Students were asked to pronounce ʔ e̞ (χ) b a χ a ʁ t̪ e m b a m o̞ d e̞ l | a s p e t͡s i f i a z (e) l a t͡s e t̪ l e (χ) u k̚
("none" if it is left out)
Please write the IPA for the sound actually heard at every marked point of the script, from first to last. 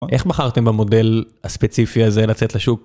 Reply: χ, e, ʃ

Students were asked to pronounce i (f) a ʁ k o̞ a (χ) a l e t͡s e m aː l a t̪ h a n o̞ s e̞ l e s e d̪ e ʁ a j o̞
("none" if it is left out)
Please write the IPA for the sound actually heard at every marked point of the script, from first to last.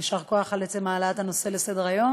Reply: ʃ, χ

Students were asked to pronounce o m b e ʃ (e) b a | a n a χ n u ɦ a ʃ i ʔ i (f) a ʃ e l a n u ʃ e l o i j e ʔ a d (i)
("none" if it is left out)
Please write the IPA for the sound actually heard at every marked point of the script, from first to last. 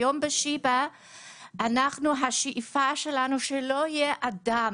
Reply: i, f, a

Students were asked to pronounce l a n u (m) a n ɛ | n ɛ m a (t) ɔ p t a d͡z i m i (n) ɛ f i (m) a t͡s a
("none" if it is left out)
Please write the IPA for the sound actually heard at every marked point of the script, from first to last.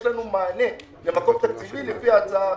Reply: m, k, n, none

